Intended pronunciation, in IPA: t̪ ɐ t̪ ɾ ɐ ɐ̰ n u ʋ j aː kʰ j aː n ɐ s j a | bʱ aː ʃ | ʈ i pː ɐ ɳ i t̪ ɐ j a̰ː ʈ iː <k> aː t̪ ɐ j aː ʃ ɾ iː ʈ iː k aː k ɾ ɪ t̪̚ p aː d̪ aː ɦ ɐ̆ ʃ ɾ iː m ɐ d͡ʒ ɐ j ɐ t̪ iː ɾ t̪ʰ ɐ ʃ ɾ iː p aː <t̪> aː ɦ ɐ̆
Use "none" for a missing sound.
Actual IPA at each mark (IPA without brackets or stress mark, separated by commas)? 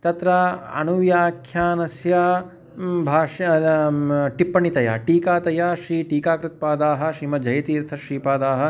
k, d̪